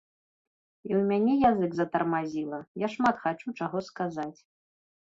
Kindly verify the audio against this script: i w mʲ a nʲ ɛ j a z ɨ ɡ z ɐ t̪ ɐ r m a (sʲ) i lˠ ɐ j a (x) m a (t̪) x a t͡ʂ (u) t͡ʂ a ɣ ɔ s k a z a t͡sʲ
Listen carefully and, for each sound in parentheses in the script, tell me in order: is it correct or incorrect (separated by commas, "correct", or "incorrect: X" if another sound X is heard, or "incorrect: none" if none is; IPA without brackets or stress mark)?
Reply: incorrect: zʲ, incorrect: ʂ, correct, correct